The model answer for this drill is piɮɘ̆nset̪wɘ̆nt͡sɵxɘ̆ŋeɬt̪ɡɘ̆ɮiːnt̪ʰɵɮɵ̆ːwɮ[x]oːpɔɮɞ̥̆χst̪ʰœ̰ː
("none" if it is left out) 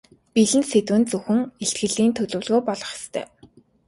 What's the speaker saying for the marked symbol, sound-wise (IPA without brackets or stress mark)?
ɣ